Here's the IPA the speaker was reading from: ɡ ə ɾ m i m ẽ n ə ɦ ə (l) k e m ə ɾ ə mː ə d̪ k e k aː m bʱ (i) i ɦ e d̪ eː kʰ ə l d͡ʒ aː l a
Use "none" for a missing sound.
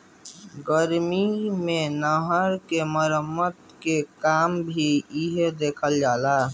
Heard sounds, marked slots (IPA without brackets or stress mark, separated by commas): ɾ, i